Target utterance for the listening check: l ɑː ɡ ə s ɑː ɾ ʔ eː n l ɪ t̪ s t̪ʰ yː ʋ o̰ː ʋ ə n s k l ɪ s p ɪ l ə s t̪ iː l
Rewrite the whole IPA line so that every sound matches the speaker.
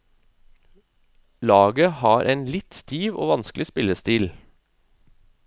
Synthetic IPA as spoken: l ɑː ɡ ə h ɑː ɾ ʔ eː n l ɪ t̪ s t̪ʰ iː ʋ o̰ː ʋ ɑ n s k l ɪ s p ɪ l ə s t̪ iː l